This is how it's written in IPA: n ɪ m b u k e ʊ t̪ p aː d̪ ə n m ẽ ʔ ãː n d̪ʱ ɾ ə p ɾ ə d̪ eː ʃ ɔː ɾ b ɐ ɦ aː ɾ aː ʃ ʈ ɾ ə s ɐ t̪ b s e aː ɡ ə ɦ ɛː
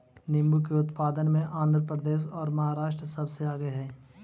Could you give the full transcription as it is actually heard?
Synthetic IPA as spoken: n ɪ m b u k e ʊ t̪ p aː d̪ ə n m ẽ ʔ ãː n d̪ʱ ɾ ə p ɾ ə d̪ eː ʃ ɔː ɾ m ɐ ɦ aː ɾ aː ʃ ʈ ɾ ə s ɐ b s e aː ɡ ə ɦ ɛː